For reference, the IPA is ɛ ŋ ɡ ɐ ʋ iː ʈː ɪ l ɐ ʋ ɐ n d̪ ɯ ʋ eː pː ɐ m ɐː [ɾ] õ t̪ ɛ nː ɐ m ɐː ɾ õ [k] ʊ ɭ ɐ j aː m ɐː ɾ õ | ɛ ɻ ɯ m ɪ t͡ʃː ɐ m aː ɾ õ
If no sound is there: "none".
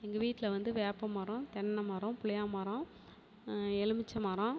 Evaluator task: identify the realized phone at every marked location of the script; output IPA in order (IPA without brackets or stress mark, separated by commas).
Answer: ɾ, p